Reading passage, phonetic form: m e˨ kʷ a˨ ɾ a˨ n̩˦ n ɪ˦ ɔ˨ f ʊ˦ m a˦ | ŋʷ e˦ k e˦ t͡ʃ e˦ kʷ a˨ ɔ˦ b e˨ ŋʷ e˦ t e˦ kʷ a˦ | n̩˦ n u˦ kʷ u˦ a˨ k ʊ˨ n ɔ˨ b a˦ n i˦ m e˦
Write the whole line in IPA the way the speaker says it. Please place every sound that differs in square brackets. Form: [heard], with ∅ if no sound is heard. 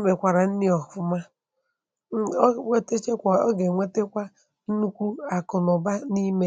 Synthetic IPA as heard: m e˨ kʷ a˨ ɾ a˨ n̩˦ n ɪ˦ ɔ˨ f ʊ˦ m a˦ | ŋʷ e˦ [t] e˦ t͡ʃ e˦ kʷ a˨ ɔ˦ [ɡ] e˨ ŋʷ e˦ t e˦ kʷ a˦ | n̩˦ n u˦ kʷ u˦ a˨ k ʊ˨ n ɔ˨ b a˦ n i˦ m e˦